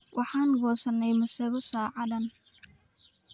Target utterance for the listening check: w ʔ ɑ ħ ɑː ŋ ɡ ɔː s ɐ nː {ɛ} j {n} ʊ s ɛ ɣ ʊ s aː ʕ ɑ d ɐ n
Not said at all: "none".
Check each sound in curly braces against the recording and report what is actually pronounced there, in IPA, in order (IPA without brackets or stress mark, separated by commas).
ɛ, m